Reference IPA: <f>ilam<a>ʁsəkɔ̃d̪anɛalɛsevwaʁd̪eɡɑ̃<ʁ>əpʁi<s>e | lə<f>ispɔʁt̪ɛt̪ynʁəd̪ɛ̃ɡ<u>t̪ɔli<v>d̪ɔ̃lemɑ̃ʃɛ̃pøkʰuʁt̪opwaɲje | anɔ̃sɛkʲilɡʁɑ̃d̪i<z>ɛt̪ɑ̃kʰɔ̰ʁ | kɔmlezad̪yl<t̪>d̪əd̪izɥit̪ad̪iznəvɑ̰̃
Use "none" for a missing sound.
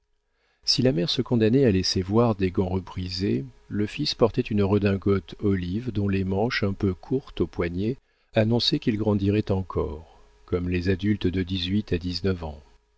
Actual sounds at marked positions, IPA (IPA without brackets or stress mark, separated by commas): s, ɛ, ʁ, z, f, ɔ, v, ʁ, t̪